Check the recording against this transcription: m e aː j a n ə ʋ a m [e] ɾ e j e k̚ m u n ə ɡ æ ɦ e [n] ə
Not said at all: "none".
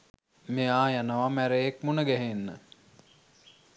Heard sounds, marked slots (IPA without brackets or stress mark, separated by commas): æ, nː